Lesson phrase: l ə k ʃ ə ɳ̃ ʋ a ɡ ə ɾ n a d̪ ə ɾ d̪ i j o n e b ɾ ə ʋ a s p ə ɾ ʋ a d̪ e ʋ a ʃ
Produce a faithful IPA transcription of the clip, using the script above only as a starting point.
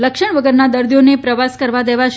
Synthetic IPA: l ə k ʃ ə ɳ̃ ʋ ə ɡ ə ɾ n a d̪ ə ɾ d̪ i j o n e p ɾ ə ʋ a s k ə ɾ ʋ a d̪ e ʋ a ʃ